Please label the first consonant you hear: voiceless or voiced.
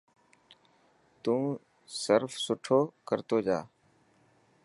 voiceless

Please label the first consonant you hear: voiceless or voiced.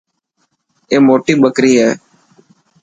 voiced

